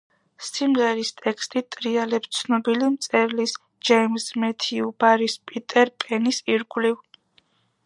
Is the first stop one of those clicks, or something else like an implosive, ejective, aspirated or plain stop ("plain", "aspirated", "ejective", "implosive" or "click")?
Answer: ejective